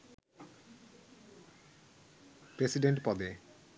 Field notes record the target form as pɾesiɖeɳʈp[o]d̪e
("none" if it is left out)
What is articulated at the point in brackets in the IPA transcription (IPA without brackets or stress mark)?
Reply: ɔ